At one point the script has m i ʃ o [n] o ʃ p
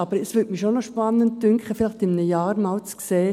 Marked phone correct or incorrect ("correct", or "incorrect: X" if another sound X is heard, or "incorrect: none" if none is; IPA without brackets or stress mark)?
correct